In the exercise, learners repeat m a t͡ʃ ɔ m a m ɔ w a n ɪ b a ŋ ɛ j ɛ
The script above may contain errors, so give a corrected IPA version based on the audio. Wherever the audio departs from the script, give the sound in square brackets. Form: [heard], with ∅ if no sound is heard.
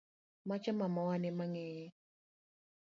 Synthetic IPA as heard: m a t͡ʃ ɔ m a m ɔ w a n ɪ [m] a ŋ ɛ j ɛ